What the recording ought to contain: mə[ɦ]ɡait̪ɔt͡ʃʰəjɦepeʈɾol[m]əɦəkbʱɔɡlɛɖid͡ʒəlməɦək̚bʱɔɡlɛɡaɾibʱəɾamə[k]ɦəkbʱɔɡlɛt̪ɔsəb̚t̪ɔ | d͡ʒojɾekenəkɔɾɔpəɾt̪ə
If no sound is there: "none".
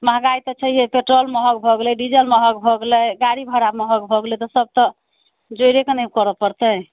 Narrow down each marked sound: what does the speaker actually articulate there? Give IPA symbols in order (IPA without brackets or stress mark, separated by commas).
ɦ, m, none